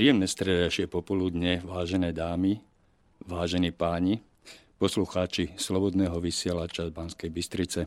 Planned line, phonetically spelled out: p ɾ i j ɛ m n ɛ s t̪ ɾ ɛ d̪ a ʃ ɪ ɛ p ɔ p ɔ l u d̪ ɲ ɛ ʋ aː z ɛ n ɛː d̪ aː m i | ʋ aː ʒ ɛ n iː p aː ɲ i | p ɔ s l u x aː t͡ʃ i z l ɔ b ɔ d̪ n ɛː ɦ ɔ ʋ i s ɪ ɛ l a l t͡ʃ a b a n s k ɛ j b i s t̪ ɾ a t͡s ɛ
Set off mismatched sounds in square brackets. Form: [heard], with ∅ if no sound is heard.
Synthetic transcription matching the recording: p ɾ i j ɛ m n ɛ s t̪ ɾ ɛ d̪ a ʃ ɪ ɛ p ɔ p ɔ l u d̪ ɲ ɛ ʋ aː [ʒ] ɛ n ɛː d̪ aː m i | ʋ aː ʒ ɛ n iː p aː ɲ i | p ɔ s l u x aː t͡ʃ i [s] l ɔ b ɔ d̪ n ɛː ɦ ɔ ʋ i s ɪ ɛ l a [∅] t͡ʃ a b a n s k ɛ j b i s t̪ ɾ [i] t͡s ɛ